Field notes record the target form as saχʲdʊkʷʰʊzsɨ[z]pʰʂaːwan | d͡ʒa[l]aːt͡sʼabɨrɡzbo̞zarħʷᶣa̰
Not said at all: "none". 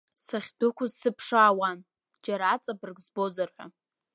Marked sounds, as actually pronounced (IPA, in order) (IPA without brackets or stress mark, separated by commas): none, ɾ